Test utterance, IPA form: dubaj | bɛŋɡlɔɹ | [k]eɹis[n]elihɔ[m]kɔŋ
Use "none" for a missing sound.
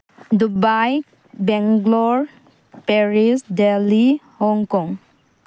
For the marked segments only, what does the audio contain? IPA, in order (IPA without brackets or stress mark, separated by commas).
p, d, ŋ